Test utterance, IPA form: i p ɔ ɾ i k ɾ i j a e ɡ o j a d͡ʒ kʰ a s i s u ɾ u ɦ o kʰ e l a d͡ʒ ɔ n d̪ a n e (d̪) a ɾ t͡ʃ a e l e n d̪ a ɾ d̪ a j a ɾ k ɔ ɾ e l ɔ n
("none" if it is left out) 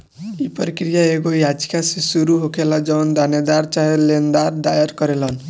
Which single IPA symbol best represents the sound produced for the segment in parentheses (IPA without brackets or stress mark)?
d̪